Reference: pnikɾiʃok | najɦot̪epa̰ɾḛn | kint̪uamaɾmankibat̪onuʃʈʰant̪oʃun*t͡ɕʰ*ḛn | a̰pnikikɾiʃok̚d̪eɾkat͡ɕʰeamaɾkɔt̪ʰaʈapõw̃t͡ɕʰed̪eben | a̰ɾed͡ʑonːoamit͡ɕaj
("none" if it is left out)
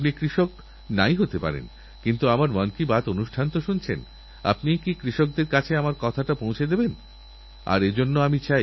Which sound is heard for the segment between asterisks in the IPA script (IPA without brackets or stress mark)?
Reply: t͡ɕʰ